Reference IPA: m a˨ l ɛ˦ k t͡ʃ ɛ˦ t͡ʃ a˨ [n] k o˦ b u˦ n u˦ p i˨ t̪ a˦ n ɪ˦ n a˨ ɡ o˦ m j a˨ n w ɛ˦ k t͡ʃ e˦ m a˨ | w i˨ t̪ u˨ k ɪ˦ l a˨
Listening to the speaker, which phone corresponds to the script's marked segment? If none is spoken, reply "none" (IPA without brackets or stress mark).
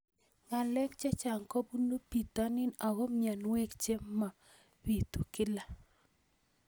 ŋ